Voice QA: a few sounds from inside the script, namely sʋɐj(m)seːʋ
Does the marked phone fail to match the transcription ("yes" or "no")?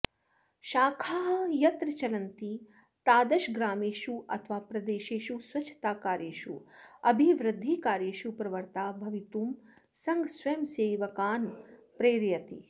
no